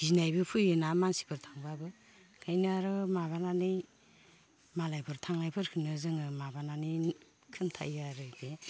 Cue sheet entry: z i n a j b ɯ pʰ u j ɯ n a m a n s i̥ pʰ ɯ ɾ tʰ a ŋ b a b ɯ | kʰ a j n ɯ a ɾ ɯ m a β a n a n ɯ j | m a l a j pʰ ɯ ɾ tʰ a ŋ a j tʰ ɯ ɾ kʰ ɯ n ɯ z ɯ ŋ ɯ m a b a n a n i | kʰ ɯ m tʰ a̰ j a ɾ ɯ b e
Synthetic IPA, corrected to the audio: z i n a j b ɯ pʰ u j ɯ n a m a n s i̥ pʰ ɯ ɾ tʰ a ŋ b a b ɯ | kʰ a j n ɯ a ɾ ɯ m a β a n a n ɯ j | m a l a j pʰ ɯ ɾ tʰ a ŋ a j pʰ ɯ ɾ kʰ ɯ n ɯ z ɯ ŋ ɯ m a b a n a n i | kʰ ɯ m tʰ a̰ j a ɾ ɯ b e

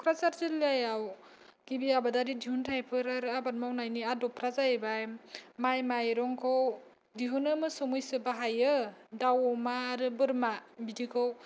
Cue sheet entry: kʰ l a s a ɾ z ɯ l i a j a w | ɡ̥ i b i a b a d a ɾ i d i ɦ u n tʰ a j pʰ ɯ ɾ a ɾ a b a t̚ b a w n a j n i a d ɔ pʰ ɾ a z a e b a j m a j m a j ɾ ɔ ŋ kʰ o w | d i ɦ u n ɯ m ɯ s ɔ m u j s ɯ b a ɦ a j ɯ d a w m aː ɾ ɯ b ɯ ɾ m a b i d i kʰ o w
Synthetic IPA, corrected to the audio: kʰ ɾ a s a ɾ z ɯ l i a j a w | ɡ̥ i b i a b a d a ɾ i d i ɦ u n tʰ a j pʰ ɯ ɾ a ɾ a b a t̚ m a w n a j n i a d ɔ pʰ ɾ a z a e b a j m a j m a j ɾ ɔ ŋ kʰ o w | d i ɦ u n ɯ m ɯ s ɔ m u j s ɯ b a ɦ a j ɯ d a w m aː ɾ ɯ b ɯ ɾ m a b i d i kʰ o w

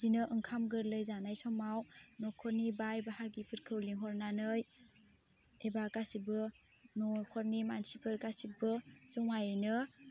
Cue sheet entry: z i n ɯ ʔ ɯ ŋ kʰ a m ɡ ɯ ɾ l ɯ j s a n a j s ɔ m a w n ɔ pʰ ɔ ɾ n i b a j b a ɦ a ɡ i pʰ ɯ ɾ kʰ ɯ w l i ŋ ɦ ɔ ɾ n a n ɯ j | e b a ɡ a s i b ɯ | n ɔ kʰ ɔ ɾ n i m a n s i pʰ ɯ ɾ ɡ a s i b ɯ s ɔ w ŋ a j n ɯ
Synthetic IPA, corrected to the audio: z i n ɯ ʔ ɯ ŋ kʰ a m ɡ ɯ ɾ l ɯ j z a n a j s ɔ m a w n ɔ kʰ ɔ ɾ n i b a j b a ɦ a ɡ i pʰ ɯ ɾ kʰ ɯ w l i ŋ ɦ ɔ ɾ n a n ɯ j | e b a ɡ a s i b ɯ | n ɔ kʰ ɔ ɾ n i m a n s i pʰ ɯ ɾ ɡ a s i b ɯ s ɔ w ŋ a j n ɯ

